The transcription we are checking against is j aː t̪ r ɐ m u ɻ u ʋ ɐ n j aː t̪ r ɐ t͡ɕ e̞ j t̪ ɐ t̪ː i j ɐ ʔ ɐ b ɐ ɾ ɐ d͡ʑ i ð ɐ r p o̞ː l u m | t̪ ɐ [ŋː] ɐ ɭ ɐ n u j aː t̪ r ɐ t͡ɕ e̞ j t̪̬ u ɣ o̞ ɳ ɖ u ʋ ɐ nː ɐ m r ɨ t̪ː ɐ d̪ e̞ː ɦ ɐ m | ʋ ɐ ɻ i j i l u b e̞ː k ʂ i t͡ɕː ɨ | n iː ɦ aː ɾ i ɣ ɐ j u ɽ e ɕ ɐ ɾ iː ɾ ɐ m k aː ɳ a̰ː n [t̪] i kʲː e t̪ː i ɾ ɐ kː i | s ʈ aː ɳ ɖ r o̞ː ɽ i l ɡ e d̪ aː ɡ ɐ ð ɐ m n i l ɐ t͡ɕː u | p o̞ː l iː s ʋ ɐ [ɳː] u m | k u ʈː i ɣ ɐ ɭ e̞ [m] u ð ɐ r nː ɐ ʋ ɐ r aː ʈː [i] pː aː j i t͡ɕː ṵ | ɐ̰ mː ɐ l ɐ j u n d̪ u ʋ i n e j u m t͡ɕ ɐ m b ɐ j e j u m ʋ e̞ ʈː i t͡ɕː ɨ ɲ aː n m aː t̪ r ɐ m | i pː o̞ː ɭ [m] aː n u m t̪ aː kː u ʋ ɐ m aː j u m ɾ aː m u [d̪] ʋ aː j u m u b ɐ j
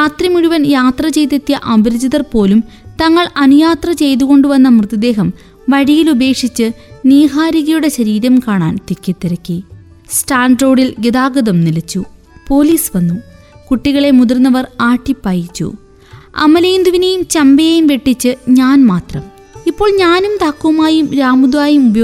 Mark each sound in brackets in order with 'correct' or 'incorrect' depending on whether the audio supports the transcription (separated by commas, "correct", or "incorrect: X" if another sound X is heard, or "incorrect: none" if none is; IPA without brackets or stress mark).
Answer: correct, correct, incorrect: nː, correct, correct, incorrect: ɲ, correct